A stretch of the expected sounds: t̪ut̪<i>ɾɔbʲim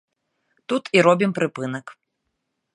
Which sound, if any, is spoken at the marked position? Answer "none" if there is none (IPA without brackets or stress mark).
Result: i